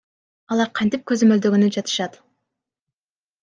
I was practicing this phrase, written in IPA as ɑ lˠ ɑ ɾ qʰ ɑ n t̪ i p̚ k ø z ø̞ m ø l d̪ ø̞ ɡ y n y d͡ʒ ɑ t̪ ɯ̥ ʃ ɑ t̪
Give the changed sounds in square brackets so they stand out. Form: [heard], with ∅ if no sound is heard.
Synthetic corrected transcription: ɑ lˠ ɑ ɾ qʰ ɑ n t̪ i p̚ k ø z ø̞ m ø l d̪ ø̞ ɡ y n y d͡ʒ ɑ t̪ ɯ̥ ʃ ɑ t̪

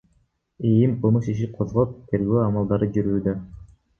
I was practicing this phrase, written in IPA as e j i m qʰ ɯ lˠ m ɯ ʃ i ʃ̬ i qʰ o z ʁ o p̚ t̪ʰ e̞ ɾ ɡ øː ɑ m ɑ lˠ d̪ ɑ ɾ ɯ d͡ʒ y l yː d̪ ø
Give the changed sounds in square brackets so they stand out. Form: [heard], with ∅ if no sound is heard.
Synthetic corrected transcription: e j i m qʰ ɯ lˠ m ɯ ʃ i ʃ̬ i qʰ o z ʁ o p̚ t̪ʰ e̞ ɾ ɡ øː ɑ m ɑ lˠ d̪ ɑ ɾ ɯ d͡ʒ y [ɾ] yː d̪ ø

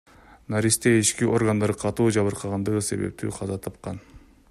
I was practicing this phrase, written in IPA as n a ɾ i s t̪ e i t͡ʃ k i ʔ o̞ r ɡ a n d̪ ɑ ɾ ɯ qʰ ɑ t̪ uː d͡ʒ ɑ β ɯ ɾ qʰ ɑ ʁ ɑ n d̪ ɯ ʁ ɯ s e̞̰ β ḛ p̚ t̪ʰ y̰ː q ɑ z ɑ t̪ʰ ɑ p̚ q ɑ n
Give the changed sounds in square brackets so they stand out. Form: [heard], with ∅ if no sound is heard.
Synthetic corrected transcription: n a ɾ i s t̪ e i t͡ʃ k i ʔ o̞ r ɡ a n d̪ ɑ ɾ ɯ qʰ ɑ t̪ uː d͡ʒ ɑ β ɯ ɾ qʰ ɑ ʁ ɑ n d̪ ɯ ʁ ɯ s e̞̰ β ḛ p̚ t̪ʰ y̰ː [qʰ] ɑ z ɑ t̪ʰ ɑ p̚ q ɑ n

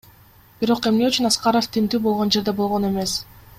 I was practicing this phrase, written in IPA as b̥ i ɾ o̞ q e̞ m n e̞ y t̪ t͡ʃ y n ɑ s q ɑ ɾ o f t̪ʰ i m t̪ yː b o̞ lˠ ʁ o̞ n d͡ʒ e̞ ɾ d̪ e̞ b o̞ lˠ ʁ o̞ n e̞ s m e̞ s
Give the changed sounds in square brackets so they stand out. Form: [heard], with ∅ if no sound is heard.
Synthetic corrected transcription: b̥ i ɾ o̞ q e̞ m n e̞ y [∅] t͡ʃ y n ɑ s q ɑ ɾ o f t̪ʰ i m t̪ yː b o̞ lˠ ʁ o̞ n d͡ʒ e̞ ɾ d̪ e̞ b o̞ lˠ ʁ o̞ n e̞ [∅] m e̞ s

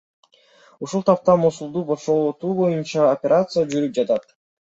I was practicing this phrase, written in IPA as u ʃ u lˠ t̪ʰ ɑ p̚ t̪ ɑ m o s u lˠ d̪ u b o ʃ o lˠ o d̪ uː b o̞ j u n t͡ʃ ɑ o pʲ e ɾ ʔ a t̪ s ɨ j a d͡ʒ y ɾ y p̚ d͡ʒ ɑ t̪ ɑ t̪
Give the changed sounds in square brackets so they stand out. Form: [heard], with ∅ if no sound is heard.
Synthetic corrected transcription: u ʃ u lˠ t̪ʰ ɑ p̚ t̪ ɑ m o s u lˠ d̪ u b o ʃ o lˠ o [t̪] uː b o̞ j u n t͡ʃ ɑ o pʲ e ɾ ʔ a t̪ s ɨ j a d͡ʒ y ɾ y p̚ d͡ʒ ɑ t̪ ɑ t̪

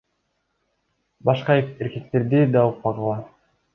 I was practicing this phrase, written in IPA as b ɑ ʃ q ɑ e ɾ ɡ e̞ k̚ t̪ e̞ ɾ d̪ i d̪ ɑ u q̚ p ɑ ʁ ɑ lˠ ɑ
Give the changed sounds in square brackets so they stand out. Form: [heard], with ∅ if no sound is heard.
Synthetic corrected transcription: b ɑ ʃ q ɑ e ɾ [k] e̞ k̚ t̪ e̞ ɾ d̪ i d̪ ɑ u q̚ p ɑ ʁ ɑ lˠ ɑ

